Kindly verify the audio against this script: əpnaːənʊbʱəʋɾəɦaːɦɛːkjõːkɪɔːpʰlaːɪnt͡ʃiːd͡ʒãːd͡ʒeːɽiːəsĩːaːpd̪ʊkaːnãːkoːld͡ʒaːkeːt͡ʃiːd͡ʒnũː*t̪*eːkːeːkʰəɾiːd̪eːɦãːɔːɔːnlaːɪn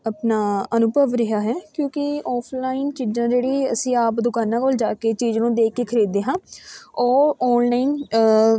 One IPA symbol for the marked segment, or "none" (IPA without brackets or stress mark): d̪